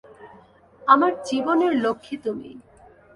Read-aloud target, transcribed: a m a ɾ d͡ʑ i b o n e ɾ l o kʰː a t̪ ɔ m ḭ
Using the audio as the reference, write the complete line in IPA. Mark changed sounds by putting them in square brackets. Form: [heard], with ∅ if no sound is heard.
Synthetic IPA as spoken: a m a ɾ d͡ʑ i b o n e ɾ l o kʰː [i] t̪ [u] m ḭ